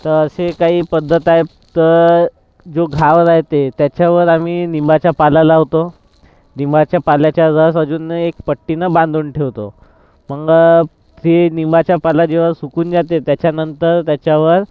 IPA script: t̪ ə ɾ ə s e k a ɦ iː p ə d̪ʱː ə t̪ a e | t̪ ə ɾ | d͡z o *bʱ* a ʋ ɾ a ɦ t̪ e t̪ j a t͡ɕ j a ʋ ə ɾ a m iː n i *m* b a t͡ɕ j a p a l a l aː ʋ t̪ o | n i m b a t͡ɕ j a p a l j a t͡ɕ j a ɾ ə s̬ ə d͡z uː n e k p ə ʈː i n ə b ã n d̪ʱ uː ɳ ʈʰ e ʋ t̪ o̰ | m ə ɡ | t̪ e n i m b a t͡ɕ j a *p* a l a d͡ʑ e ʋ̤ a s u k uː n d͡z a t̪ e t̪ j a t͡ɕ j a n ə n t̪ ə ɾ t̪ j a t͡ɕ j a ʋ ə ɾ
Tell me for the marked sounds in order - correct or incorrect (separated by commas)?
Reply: incorrect, correct, correct